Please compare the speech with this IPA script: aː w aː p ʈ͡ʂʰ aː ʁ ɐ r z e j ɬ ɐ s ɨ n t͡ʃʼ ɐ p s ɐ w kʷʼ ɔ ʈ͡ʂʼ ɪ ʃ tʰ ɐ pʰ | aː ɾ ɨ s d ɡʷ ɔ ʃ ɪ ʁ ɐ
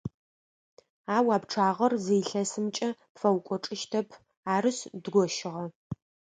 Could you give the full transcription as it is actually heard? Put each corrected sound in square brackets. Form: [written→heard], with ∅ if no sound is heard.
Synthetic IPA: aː w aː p ʈ͡ʂʰ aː ʁ ɐ r z e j ɬ ɐ s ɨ [n→m] t͡ʃʼ ɐ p [s→f] ɐ w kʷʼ ɔ ʈ͡ʂʼ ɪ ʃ tʰ ɐ pʰ | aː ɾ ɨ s d ɡʷ ɔ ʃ ɪ ʁ ɐ